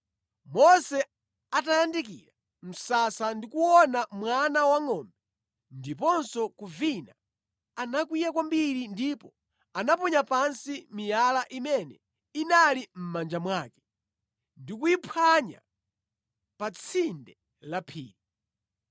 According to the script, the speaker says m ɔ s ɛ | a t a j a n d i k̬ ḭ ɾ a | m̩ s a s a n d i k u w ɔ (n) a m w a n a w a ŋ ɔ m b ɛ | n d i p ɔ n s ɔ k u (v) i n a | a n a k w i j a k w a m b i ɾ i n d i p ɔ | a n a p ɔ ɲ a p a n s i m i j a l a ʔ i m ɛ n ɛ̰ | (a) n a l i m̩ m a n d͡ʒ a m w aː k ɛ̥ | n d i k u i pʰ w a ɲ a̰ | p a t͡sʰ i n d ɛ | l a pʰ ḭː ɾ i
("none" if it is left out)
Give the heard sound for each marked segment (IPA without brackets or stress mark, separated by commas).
n, v, i